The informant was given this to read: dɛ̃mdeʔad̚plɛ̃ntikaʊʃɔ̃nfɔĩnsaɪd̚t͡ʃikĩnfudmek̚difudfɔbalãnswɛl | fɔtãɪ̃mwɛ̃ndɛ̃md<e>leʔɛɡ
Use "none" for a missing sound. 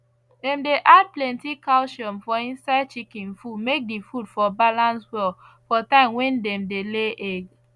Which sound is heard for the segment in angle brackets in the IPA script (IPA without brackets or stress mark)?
e